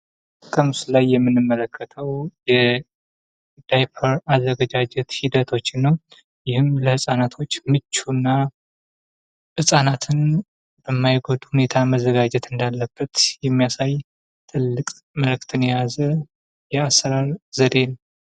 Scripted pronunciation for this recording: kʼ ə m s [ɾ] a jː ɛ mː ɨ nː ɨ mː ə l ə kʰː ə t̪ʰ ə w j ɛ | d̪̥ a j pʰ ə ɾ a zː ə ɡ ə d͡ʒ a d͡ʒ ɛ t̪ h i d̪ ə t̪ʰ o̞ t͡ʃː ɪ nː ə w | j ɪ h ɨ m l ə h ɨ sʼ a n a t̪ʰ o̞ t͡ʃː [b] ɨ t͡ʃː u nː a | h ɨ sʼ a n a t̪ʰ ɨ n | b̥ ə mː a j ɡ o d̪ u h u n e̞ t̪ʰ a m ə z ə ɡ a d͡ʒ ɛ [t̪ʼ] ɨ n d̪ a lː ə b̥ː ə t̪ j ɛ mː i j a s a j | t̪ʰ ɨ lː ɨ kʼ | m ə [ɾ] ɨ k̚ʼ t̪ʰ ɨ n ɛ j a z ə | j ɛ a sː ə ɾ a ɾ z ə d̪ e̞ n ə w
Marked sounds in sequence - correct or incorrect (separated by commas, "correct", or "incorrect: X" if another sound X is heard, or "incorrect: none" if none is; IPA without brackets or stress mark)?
incorrect: l, incorrect: m, incorrect: t̪, incorrect: l